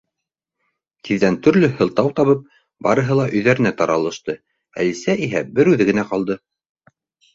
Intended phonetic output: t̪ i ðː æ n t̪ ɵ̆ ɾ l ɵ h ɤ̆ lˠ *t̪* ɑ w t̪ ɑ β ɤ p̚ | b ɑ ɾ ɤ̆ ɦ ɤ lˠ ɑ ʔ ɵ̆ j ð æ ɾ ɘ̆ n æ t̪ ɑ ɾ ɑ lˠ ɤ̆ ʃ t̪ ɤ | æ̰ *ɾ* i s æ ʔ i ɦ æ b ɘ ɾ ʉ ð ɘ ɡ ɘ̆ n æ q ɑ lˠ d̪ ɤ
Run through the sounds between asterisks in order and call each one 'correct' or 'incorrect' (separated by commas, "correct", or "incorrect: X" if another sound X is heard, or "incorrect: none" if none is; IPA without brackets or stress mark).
correct, incorrect: l